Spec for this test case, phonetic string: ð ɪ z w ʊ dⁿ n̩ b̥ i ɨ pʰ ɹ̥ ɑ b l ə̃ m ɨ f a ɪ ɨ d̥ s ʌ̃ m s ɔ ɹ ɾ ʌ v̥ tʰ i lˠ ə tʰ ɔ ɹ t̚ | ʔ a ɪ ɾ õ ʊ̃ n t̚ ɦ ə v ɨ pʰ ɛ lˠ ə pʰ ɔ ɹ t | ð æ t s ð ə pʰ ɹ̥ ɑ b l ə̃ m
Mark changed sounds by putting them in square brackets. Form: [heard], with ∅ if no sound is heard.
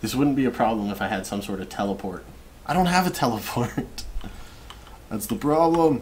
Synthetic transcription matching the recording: ð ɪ [s] w ʊ dⁿ n̩ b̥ i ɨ pʰ ɹ̥ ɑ b l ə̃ m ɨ f a ɪ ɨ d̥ s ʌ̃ m s ɔ ɹ ɾ ʌ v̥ tʰ [ɛ] lˠ ə [pʰ] ɔ ɹ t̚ | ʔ a ɪ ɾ õ ʊ̃ n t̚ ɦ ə v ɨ [tʰ] ɛ lˠ ə pʰ ɔ ɹ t | ð æ t s ð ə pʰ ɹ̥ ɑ b l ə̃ m